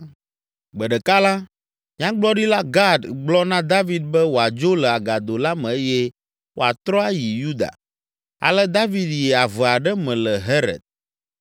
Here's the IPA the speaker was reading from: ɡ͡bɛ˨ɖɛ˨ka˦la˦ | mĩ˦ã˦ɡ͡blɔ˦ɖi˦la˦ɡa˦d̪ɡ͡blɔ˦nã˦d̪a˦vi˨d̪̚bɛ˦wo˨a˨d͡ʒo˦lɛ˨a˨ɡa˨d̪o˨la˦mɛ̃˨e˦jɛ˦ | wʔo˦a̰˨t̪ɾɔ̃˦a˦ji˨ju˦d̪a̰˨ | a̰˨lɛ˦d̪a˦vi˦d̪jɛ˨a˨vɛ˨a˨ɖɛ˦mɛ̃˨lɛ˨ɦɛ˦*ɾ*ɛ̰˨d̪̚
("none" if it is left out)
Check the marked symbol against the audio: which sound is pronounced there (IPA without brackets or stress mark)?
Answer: ɾ